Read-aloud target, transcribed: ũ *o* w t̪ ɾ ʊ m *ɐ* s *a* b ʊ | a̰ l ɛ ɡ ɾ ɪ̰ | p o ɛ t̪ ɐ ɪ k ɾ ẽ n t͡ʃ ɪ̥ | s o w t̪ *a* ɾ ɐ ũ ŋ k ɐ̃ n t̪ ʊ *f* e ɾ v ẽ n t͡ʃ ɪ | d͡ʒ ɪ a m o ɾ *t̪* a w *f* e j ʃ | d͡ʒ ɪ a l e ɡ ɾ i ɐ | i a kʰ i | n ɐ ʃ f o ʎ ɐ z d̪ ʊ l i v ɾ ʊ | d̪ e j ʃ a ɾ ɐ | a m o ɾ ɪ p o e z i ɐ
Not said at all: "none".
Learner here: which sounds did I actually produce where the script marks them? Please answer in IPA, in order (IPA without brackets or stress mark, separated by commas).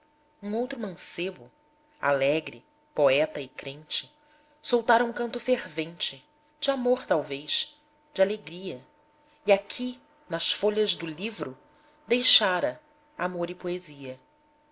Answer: o, ɐ̃, e, a, f, t̪, v